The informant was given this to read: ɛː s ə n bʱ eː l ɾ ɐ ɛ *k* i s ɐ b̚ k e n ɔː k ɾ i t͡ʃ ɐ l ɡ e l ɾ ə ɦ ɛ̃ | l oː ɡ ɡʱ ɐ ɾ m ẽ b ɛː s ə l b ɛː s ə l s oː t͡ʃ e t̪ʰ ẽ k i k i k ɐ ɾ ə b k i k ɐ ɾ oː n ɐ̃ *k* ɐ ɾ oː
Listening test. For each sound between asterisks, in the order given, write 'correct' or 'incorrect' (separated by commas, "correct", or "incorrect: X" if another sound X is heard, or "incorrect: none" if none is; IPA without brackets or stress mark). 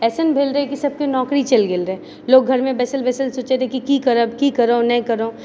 correct, correct